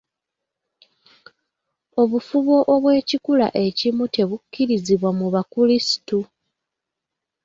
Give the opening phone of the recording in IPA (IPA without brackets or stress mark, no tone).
o̞